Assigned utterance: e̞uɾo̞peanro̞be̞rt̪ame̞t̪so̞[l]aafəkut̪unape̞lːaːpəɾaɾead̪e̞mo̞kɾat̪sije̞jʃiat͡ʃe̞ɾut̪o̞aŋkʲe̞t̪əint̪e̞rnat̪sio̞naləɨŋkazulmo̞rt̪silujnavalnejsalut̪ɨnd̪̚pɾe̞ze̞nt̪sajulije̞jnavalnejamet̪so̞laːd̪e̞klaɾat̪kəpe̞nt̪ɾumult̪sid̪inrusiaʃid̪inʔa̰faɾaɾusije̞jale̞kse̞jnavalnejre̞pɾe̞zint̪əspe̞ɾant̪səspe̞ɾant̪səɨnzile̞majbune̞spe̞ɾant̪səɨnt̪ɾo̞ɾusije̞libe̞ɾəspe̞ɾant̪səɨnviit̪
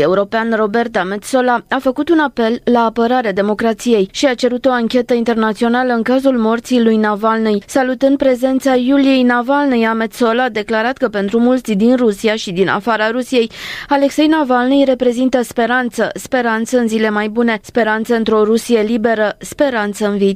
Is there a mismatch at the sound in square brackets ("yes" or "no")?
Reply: no